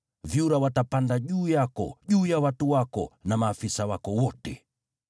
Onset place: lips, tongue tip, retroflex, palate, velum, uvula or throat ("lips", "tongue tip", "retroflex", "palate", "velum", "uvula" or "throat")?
lips